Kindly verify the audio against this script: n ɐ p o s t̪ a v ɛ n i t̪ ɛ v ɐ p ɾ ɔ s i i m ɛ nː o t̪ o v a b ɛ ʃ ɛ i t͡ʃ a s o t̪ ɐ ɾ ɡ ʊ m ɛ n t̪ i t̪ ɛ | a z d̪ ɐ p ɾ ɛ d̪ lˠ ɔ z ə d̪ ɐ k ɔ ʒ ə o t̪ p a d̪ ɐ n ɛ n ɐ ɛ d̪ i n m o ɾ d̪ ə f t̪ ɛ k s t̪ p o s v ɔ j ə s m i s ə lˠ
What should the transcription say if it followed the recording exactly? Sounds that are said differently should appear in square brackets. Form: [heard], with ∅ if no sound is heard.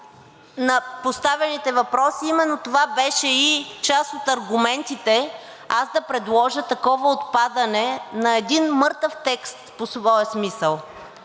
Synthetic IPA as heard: n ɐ p o s t̪ a v ɛ n i t̪ ɛ v ɐ p ɾ ɔ s i i m ɛ nː o t̪ o v a b ɛ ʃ ɛ i t͡ʃ a s o t̪ ɐ ɾ ɡ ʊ m ɛ n t̪ i t̪ ɛ | a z d̪ ɐ p ɾ ɛ d̪ lˠ ɔ [ʒ] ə [t̪] ɐ k ɔ [v] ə o t̪ p a d̪ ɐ n ɛ n ɐ ɛ d̪ i n m [ɤ] ɾ [t̪] ə f t̪ ɛ k s t̪ p o s v ɔ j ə s m i s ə lˠ